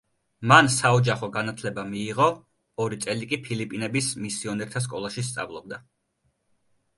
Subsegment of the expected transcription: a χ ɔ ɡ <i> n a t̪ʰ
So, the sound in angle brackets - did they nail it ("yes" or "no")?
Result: no